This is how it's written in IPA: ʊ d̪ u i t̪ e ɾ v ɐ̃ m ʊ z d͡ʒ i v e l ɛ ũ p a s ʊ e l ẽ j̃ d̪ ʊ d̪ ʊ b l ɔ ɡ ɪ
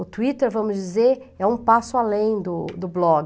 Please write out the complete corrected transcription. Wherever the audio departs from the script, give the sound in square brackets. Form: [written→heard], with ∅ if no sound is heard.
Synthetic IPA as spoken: ʊ [d̪→t̪] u i t̪ e ɾ v ɐ̃ m ʊ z d͡ʒ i [v→z] e [l→ɾ] ɛ ũ p a s ʊ [e→a] l ẽ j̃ d̪ ʊ d̪ ʊ b l ɔ ɡ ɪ